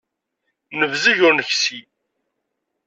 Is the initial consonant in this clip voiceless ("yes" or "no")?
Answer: no